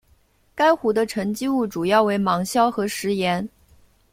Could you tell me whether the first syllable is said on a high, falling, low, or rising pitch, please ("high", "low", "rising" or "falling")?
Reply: high